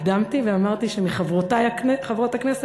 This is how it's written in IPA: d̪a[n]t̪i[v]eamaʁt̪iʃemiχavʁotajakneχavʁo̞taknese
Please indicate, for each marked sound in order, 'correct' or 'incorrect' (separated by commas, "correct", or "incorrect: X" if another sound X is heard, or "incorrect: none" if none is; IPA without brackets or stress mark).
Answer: incorrect: m, correct